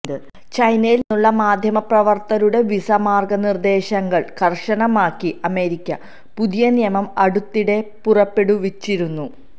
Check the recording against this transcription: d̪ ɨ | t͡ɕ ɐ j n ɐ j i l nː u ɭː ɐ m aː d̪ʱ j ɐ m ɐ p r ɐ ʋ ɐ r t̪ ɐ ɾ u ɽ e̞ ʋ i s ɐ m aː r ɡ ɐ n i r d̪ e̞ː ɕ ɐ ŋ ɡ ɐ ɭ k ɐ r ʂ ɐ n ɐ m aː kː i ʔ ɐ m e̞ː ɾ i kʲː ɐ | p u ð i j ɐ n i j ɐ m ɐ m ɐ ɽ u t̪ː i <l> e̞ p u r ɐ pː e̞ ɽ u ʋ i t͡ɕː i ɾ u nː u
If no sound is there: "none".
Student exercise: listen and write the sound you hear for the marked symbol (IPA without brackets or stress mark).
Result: ɽ